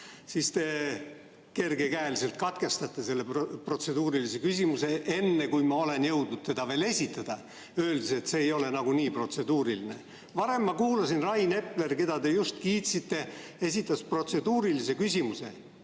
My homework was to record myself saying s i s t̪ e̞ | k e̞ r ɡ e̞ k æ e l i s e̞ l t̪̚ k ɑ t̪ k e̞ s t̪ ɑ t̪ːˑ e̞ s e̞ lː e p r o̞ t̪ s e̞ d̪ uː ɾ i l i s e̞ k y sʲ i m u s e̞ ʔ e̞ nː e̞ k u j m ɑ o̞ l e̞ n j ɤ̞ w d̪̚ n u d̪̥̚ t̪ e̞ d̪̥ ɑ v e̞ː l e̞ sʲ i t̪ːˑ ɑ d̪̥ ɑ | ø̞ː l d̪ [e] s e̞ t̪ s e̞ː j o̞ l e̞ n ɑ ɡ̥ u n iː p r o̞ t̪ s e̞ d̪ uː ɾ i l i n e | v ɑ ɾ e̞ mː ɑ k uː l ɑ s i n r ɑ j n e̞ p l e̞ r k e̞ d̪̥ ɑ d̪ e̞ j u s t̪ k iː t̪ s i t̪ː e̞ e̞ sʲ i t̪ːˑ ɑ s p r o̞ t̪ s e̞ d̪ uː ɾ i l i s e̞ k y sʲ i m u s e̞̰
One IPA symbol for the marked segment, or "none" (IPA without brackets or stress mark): i